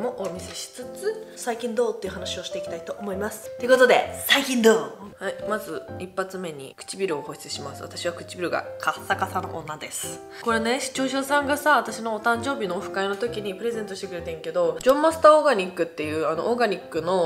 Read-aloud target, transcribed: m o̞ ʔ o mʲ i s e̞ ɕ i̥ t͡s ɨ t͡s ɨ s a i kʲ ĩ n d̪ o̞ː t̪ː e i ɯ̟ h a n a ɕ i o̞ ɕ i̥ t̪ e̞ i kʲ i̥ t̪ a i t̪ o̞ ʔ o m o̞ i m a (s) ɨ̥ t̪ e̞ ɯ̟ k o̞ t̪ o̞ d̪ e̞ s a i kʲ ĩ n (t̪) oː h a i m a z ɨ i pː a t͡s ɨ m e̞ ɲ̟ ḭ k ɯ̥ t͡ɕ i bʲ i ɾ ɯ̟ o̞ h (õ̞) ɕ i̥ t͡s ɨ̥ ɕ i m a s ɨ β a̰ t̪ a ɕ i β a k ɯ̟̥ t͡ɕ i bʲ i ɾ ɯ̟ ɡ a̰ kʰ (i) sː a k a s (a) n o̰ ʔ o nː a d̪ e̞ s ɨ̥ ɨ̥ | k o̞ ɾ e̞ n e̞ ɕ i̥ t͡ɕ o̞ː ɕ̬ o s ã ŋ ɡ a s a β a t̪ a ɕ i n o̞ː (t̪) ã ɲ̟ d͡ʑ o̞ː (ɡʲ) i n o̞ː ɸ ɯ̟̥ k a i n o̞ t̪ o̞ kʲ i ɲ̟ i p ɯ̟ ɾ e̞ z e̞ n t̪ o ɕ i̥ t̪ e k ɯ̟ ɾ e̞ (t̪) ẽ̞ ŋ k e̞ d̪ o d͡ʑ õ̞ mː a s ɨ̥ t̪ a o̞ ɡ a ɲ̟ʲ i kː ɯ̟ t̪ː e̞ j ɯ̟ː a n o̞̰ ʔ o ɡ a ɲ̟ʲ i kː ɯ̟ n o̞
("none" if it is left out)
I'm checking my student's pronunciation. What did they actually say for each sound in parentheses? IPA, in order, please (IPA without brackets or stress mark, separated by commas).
s, d̪, o̞, a, a, t̪, bʲ, t̪